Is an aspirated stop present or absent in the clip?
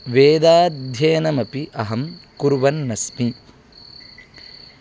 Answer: absent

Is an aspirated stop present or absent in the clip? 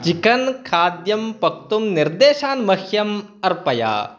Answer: present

